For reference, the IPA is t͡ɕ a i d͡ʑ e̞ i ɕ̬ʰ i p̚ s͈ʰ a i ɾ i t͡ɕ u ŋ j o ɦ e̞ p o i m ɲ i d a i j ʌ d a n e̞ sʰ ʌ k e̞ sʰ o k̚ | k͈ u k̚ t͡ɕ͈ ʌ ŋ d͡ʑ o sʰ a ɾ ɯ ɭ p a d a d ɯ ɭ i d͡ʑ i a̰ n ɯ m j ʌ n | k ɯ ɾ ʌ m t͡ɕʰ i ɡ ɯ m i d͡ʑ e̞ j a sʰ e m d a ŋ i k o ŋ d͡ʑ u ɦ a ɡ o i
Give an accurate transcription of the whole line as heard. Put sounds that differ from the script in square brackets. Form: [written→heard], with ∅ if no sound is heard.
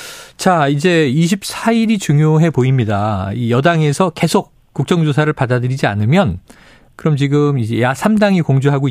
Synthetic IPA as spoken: t͡ɕ a i d͡ʑ e̞ i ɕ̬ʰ i p̚ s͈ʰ a i ɾ i t͡ɕ u ŋ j o ɦ e̞ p o i m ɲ i d a i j ʌ d a [n→ŋ] e̞ sʰ ʌ k e̞ sʰ o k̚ | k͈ u k̚ t͡ɕ͈ ʌ ŋ d͡ʑ o sʰ a ɾ ɯ ɭ p a d a d ɯ [ɭ→ɾ] i d͡ʑ i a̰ n ɯ m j ʌ n | k ɯ ɾ ʌ m [t͡ɕʰ→t͡ɕ] i ɡ ɯ m i d͡ʑ e̞ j a sʰ [e→a] m d a ŋ i k o ŋ d͡ʑ u ɦ a ɡ o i